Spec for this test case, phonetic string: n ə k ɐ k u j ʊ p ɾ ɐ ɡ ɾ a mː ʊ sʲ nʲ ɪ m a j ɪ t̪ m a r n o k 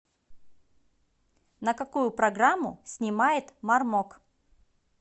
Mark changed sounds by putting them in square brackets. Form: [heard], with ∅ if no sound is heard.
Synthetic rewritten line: n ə k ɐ k u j ʊ p ɾ ɐ ɡ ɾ a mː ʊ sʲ nʲ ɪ m a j ɪ t̪ m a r [m] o k